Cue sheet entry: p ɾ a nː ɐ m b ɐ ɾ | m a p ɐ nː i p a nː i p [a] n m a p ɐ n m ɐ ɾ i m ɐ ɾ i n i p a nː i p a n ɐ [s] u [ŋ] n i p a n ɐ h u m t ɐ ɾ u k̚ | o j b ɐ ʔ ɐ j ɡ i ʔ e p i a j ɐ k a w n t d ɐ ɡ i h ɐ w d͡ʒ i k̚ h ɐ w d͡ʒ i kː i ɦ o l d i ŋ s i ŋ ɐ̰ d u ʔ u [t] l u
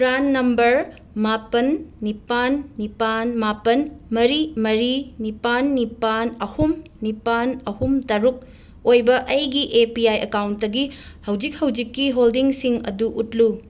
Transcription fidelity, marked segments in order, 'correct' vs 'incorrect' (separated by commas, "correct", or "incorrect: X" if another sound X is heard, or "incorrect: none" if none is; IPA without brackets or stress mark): correct, incorrect: h, incorrect: m, correct